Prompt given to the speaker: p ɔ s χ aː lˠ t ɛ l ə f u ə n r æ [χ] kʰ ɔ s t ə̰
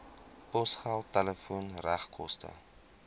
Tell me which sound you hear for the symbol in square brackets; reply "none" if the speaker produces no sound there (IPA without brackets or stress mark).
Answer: χ